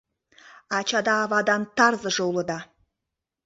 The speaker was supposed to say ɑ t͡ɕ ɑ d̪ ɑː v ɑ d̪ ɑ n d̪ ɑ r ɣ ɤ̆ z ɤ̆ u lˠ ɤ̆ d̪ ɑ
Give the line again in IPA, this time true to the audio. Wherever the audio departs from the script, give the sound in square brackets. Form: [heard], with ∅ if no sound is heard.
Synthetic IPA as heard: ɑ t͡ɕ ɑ d̪ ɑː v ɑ d̪ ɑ n [t̪] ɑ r [z] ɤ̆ [ʒ] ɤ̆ u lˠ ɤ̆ d̪ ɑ